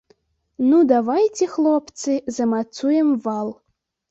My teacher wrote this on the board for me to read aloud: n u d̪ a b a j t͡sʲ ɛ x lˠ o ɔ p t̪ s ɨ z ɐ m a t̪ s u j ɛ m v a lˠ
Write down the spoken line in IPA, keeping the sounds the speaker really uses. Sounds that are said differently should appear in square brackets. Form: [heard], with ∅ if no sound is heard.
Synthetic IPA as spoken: n u d̪ a [v] a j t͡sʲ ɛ x lˠ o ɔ p t̪ s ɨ z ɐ m a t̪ s u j ɛ m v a lˠ